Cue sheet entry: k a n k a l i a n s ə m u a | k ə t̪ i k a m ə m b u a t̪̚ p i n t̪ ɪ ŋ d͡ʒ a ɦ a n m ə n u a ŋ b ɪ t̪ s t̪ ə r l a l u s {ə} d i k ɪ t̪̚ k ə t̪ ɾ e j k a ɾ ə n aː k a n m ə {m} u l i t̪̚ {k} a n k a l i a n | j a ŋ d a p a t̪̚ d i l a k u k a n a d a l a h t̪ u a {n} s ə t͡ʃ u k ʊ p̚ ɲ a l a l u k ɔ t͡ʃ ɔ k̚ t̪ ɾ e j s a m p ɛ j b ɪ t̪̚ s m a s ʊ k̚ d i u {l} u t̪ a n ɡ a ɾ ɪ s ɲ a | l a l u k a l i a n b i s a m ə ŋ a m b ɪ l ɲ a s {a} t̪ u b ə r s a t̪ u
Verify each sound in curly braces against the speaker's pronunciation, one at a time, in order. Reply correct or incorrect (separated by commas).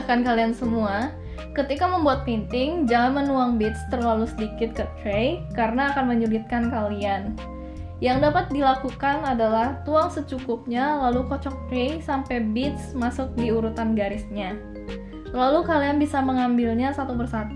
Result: correct, incorrect, correct, incorrect, incorrect, correct